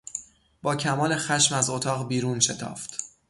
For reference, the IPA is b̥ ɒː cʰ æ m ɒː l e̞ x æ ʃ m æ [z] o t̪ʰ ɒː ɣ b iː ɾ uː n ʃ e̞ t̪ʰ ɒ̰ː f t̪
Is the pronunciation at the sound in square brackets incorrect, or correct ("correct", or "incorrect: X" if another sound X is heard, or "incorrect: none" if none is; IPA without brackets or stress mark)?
correct